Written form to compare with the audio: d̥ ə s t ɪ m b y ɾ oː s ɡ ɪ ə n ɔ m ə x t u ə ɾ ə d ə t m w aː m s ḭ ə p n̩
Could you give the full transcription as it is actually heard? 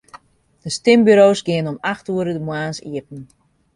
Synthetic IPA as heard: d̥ ə s t ɪ m b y ɾ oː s ɡ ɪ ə n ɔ m a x t u ə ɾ ə d ə m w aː n s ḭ ə p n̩